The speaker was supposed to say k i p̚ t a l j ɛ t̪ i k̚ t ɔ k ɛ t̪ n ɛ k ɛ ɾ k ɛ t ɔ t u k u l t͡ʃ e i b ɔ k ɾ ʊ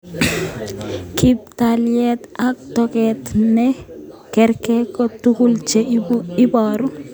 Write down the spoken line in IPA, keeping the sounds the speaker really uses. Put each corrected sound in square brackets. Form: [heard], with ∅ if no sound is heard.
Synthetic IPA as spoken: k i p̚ t a l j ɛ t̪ [a] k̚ t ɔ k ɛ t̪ n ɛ k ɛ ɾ k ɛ [k] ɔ t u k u l t͡ʃ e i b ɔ [∅] ɾ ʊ

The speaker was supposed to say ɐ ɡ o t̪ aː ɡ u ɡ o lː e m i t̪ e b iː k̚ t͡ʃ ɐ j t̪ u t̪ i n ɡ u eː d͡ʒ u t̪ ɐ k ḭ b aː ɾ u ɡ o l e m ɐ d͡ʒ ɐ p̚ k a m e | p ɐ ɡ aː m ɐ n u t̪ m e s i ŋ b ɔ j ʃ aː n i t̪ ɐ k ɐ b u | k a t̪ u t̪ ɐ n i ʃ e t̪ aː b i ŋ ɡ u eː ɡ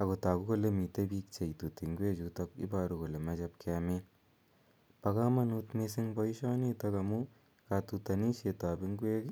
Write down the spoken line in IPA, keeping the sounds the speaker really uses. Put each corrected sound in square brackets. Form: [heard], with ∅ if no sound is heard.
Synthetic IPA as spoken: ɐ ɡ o t̪ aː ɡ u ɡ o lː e m i t̪ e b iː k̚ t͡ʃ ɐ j t̪ u t̪ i [ŋ] ɡ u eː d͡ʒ u t̪ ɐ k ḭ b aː ɾ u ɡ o l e m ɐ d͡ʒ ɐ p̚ k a m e | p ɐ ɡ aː m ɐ n u t̪ m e s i ŋ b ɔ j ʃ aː n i t̪ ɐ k ɐ [m] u | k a t̪ u t̪ ɐ n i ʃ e t̪ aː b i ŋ ɡ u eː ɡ

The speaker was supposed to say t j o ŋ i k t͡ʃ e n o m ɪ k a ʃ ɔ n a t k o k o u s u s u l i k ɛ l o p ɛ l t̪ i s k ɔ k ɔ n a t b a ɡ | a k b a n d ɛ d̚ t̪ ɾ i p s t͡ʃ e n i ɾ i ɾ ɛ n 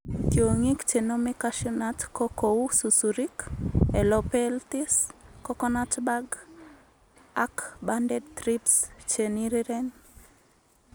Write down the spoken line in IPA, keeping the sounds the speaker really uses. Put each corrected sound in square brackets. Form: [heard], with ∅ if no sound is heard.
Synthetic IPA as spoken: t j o ŋ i k t͡ʃ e n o m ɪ k a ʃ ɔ n a t k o k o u s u s u [ɾ] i k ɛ l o p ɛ l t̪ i s k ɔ k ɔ n a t b a ɡ | a k b a n d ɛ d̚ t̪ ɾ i p s t͡ʃ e n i ɾ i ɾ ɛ n

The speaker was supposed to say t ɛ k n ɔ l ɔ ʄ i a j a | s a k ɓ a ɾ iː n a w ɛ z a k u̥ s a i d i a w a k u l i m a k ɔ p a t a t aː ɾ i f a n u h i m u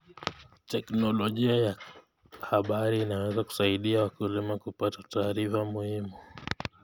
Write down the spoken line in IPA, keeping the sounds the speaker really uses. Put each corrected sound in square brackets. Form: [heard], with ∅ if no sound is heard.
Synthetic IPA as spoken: t ɛ k n ɔ l ɔ ʄ i a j a | [h] a [∅] ɓ a ɾ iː n a w ɛ z a k u̥ s a i [ɗ] i a w a k u l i m a k [u] p a t a t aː ɾ i f a [m] u h i m u

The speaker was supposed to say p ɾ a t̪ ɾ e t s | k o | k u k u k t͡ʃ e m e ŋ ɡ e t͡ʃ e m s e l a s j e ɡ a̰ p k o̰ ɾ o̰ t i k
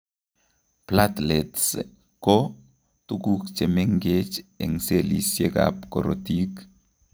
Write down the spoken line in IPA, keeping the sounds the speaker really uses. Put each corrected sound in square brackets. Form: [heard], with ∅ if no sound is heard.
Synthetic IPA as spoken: p [l] a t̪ [l] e t s | k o | [t] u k u k t͡ʃ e m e ŋ ɡ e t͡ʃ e [ŋ] s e l [i] s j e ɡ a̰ p k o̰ ɾ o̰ t i k

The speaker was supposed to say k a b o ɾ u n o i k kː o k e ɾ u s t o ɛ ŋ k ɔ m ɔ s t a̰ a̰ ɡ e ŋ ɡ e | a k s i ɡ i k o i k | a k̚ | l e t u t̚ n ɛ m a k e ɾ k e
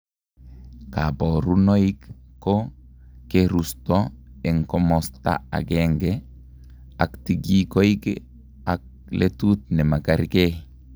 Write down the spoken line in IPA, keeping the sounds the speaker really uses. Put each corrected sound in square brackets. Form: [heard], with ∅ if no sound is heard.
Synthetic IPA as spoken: k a b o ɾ u n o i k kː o k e ɾ u s t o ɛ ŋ k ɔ m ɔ s t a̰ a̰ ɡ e ŋ ɡ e | a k [t] i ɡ i k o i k | a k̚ | l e t u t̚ n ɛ m a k [a] ɾ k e

